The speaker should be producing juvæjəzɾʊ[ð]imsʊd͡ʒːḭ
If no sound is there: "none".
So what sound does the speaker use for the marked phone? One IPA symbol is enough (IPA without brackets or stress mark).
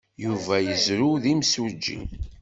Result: ð